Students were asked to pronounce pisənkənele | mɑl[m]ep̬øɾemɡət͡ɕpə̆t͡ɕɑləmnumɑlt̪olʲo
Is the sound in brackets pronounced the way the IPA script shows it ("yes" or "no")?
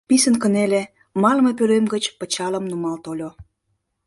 yes